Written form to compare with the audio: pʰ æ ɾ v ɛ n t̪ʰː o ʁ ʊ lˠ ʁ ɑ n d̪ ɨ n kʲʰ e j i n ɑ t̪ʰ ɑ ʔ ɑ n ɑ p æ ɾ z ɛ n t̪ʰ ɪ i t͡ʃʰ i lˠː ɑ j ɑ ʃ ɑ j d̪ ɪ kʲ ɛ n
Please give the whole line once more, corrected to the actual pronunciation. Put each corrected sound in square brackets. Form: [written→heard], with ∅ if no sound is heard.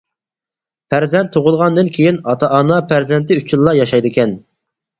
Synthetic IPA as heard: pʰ æ ɾ [v→z] ɛ n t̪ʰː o ʁ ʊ lˠ ʁ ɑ n d̪ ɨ n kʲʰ e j i n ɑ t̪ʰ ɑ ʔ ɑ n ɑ p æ ɾ z ɛ n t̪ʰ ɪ [i→y] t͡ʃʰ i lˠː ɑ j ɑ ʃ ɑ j d̪ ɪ kʲ ɛ n